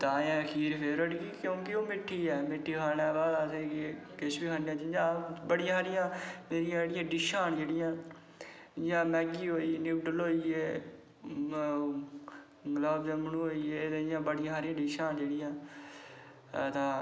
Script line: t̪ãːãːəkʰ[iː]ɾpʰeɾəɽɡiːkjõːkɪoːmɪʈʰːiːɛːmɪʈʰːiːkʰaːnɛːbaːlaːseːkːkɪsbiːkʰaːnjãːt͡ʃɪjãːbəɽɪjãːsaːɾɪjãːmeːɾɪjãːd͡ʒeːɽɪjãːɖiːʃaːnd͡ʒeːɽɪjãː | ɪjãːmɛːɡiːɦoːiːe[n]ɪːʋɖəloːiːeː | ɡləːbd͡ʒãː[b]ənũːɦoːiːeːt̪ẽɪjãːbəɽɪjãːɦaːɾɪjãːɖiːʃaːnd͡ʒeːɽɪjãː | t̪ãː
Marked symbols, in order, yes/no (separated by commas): yes, yes, no